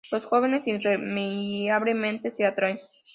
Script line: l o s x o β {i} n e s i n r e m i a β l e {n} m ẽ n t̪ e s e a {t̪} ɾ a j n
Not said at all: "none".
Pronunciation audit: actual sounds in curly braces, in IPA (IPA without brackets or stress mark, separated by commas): e, none, t̪